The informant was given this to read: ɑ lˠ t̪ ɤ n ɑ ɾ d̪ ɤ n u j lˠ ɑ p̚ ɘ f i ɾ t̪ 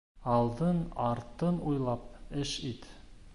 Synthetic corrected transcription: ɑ lˠ d̪ ɤ n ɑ ɾ t̪ ɤ n u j lˠ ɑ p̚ ɘ ʃ i t̪

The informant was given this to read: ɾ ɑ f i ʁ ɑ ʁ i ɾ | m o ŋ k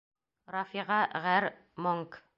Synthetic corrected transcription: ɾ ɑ f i ʁ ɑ ʁ æ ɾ | m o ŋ k

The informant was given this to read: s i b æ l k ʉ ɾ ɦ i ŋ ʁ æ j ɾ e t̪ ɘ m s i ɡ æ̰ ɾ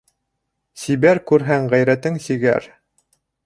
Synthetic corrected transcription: s i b æ ɾ k ʉ ɾ ɦ æ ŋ ʁ æ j ɾ æ t̪ ɘ ŋ s i ɡ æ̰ ɾ

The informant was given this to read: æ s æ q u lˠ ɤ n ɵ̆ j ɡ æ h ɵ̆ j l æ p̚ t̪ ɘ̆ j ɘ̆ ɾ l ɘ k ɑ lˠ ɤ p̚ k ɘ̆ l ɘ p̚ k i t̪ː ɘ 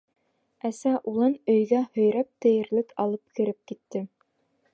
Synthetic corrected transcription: æ s æ ʔ u lˠ ɤ n ɵ̆ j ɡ æ h ɵ̆ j ɾ æ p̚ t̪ ɘ̆ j ɘ̆ ɾ l ɘ k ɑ lˠ ɤ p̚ k ɘ̆ ɾ ɘ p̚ k i t̪ː ɘ

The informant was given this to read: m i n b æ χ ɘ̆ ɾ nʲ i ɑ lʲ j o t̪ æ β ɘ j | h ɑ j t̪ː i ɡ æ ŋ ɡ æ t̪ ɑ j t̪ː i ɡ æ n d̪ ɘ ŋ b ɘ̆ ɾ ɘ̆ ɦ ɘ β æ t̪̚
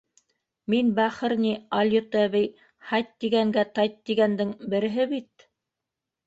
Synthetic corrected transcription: m i n b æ χ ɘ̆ ɾ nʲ i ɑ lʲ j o t̪ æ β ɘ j | h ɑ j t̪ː i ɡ æ ŋ ɡ æ t̪ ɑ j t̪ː i ɡ æ n d̪ ɘ ŋ b ɘ̆ ɾ ɘ̆ ɦ ɘ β i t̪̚

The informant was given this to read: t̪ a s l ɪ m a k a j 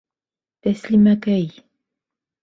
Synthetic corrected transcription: t̪ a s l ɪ m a k a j

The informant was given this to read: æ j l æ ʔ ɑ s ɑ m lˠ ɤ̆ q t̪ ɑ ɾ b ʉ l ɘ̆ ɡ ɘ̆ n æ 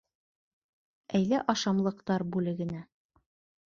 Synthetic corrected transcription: æ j l æ ʔ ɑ ʃ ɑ m lˠ ɤ̆ q t̪ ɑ ɾ b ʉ l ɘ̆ ɡ ɘ̆ n æ

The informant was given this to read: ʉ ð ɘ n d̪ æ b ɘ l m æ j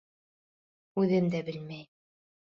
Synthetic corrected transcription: ʉ ð ɘ m d̪ æ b ɘ l m æ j

